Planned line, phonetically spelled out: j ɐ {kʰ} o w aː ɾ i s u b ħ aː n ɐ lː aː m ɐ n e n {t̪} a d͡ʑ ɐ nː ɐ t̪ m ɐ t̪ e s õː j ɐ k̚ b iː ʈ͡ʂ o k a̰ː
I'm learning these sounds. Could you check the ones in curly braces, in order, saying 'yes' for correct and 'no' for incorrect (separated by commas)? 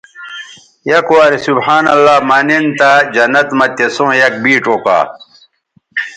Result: no, yes